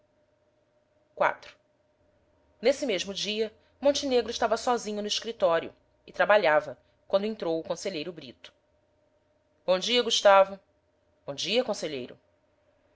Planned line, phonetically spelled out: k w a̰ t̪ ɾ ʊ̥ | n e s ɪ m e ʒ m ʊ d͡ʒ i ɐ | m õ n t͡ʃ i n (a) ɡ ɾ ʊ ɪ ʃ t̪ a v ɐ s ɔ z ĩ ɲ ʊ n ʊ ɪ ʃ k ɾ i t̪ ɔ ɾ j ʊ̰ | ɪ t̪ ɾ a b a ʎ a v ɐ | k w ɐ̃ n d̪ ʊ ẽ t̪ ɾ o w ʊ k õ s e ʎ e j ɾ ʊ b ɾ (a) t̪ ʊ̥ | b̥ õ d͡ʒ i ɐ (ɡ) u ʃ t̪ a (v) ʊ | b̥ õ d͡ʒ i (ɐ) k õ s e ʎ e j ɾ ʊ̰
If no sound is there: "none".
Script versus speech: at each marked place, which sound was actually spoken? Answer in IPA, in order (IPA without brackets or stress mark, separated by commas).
e, i, ɡ, v, ɐ